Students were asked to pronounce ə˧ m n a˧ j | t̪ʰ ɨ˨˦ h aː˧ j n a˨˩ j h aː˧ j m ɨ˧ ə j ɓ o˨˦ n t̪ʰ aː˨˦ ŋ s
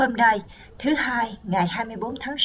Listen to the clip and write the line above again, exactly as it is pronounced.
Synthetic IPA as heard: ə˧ m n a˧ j | t̪ʰ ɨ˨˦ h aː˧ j ŋ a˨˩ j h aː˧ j m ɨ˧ ə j ɓ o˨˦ n t̪ʰ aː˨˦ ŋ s